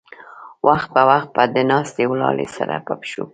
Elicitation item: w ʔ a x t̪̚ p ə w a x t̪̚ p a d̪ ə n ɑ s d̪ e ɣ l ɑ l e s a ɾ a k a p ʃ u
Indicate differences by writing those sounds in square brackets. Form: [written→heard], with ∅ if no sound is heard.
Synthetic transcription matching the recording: w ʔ a x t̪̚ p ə w a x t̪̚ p a d̪ ə n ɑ s [d̪→t̪] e [ɣ→w] l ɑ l e s a ɾ a [k→p] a p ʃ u